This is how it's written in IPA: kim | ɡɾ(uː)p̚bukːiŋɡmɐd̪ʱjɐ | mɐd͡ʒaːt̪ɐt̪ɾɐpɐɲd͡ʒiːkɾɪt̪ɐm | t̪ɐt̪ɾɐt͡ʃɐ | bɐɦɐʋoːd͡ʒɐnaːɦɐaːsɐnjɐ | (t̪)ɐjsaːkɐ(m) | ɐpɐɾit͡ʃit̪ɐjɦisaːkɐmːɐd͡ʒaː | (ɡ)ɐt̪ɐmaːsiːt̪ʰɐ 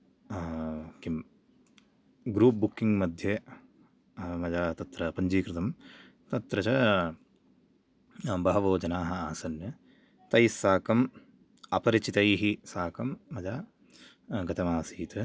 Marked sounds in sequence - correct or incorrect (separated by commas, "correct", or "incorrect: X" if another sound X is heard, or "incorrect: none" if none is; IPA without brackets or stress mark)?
correct, correct, correct, correct